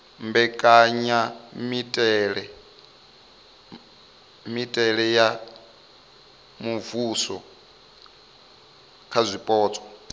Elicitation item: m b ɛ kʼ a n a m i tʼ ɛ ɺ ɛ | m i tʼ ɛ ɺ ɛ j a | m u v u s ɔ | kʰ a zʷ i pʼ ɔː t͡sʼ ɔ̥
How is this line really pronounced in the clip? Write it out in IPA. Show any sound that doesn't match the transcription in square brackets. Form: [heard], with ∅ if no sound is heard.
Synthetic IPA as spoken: m b ɛ kʼ a [ɲ] a m i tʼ ɛ ɺ ɛ | m i tʼ ɛ ɺ ɛ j a | m u v u s ɔ | kʰ a zʷ i pʼ ɔː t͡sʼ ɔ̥